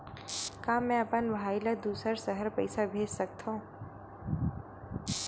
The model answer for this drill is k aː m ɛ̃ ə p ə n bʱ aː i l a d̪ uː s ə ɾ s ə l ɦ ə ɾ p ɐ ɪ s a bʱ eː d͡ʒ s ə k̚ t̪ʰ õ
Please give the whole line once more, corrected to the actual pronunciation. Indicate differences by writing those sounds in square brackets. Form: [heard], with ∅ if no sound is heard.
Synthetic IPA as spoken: k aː m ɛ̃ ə p ə n bʱ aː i l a d̪ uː s ə ɾ s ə [∅] ɦ ə ɾ p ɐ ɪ s a bʱ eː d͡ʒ s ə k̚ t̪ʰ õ

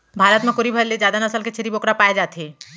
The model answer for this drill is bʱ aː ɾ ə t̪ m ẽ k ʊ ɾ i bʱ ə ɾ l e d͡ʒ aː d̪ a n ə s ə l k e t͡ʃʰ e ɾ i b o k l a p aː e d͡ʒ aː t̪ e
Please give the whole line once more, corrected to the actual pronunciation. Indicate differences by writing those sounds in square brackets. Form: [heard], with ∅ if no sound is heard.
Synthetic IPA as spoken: bʱ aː ɾ ə t̪ m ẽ k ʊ ɾ i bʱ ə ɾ l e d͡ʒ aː d̪ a n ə s ə l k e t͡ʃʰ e ɾ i b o k [ɾ] a p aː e d͡ʒ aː t̪ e

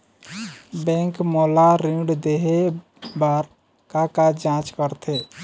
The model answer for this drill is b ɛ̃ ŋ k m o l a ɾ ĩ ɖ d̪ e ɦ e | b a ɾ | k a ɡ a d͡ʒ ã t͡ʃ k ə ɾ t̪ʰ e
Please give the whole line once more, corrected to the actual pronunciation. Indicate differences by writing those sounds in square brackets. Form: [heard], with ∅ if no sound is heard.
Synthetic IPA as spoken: b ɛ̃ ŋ k m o l a ɾ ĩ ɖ d̪ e ɦ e | b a ɾ | k a [k] a d͡ʒ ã t͡ʃ k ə ɾ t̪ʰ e

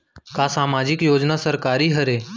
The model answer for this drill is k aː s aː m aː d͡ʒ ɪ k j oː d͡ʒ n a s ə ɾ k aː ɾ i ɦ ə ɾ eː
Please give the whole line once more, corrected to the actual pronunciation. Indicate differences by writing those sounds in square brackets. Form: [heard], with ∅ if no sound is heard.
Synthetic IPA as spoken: k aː s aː m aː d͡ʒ ɪ k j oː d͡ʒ n a s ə ɾ k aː ɾ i ɦ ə ɾ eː

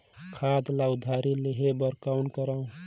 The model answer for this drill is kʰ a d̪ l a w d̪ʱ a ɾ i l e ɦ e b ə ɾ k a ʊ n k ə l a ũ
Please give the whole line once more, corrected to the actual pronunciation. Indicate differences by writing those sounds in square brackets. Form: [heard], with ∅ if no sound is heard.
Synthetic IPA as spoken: kʰ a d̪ l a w d̪ʱ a ɾ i l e ɦ e b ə ɾ k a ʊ n k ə [ɾ] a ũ

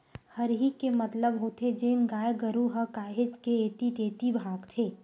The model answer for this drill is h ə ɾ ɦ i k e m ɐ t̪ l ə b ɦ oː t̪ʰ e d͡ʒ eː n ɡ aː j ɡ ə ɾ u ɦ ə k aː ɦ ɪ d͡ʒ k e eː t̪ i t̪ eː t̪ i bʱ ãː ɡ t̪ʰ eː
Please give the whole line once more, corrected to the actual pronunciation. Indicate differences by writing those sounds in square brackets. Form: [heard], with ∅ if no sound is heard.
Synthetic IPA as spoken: h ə ɾ ɦ i k e m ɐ t̪ l ə b ɦ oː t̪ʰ e d͡ʒ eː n ɡ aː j ɡ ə ɾ u ɦ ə k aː ɦ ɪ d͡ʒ k e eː t̪ i t̪ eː t̪ i bʱ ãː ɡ t̪ʰ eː

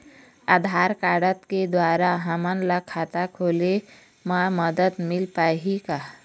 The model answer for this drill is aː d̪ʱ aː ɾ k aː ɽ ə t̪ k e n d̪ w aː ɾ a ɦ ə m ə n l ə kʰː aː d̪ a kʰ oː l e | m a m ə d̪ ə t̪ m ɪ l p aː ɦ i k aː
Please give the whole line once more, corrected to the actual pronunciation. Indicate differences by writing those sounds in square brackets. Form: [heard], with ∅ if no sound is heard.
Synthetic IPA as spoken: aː d̪ʱ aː ɾ k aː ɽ ə t̪ k e [∅] d̪ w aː ɾ a ɦ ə m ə n l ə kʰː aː [t̪] a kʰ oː l e | m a m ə d̪ ə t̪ m ɪ l p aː ɦ i k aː

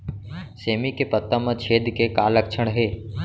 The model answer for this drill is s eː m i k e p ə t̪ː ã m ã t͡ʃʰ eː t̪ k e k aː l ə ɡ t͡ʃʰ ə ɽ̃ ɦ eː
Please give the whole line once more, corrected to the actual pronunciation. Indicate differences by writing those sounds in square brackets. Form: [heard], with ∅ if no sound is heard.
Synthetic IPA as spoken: s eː m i k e p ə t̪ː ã m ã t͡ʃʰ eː [d̪] k e k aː l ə [k] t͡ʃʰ ə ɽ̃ ɦ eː

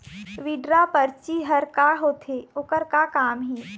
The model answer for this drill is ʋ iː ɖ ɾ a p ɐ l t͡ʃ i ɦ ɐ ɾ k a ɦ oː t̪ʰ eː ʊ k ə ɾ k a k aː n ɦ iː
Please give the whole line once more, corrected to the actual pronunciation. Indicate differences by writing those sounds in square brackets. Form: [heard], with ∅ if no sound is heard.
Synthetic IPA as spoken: ʋ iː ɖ ɾ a p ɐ [ɾ] t͡ʃ i ɦ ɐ ɾ k a ɦ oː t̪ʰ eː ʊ k ə ɾ k a k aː [m] ɦ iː

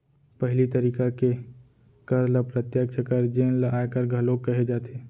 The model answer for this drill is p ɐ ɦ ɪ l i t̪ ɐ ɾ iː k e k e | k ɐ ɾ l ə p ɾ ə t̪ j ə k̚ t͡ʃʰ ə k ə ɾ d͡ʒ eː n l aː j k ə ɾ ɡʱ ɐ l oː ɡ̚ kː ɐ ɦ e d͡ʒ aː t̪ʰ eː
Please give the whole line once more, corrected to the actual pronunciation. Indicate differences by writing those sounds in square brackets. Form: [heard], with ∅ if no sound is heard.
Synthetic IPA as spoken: p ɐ ɦ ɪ l i t̪ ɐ ɾ iː k [a] k e | k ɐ ɾ l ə p ɾ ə t̪ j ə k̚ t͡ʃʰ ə k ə ɾ d͡ʒ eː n l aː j k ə ɾ ɡʱ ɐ l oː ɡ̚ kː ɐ ɦ e d͡ʒ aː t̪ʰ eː

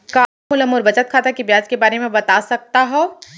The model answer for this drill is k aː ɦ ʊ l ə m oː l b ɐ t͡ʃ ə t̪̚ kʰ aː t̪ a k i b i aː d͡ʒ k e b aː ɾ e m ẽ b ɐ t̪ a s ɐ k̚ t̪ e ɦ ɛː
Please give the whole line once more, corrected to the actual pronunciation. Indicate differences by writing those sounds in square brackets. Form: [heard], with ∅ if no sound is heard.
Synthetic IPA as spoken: k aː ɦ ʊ l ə m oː [ɾ] b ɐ t͡ʃ ə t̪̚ kʰ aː t̪ a k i b [j] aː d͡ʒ k e b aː ɾ e m ẽ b ɐ t̪ a s ɐ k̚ t̪ [a] ɦ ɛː

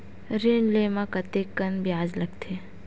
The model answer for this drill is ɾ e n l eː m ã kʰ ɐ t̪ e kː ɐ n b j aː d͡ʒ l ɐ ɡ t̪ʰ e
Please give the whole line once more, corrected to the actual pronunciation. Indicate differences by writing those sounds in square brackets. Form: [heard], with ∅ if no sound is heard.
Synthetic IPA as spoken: ɾ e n l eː m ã [k] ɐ t̪ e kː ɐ n b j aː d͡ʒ l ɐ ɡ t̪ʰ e

